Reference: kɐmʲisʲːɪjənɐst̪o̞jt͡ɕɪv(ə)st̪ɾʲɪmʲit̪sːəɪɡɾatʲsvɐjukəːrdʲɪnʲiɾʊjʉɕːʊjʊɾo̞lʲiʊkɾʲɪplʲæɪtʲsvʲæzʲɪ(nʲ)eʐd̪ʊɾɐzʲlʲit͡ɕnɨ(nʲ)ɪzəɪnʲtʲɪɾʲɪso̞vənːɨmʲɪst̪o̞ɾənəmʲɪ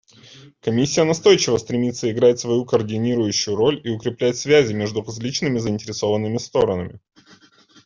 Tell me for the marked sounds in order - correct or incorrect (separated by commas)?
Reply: correct, incorrect, incorrect